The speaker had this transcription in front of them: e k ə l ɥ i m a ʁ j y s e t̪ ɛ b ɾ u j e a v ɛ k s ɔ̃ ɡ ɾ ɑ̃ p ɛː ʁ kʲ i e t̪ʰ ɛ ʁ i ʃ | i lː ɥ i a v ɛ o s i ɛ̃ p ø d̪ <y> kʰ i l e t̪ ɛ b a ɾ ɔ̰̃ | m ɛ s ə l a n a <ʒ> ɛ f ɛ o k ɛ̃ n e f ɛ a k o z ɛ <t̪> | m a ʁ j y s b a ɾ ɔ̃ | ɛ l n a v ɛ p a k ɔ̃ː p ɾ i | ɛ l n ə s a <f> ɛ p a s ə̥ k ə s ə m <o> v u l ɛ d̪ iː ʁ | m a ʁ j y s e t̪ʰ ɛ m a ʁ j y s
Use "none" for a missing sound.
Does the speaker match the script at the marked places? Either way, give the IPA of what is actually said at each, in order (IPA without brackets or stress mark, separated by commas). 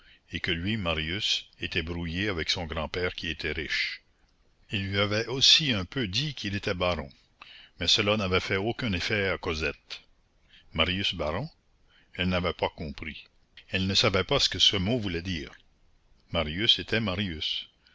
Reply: i, v, t̪, v, o